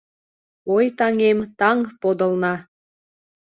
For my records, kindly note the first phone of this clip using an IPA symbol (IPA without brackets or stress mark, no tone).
o